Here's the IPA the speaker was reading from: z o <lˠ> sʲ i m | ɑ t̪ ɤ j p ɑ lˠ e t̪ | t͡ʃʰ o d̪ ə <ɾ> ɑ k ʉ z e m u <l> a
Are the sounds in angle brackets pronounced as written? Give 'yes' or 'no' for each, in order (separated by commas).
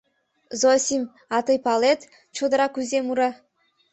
no, yes, no